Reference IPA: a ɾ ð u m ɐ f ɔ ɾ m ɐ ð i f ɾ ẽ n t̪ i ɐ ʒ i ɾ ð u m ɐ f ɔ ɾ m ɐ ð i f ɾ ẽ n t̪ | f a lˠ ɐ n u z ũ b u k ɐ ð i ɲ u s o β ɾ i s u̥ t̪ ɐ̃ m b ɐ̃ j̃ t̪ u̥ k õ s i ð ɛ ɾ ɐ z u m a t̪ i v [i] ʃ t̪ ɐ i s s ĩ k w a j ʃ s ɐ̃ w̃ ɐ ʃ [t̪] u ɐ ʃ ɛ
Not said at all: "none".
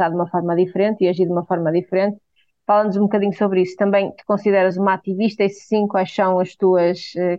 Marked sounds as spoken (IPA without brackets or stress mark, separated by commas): i, t̪